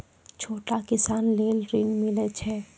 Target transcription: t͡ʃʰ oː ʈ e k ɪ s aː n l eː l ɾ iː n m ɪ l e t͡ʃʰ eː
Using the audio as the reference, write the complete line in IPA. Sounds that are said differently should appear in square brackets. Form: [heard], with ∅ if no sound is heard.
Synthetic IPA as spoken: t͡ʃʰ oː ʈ [a] k ɪ s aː n l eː l ɾ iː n m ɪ l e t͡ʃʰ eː